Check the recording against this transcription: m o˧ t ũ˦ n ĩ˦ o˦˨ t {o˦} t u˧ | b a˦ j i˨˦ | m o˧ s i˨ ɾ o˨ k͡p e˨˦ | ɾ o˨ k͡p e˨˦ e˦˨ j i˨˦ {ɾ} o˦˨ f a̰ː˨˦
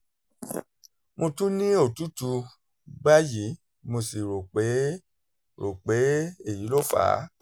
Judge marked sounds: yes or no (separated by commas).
no, no